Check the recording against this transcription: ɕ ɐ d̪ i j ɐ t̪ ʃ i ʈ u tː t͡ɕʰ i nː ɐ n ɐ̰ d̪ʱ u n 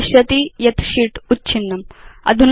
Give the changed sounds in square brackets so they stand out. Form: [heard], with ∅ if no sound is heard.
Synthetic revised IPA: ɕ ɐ [t̪] i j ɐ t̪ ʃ i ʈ u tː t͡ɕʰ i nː ɐ [m] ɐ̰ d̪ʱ u n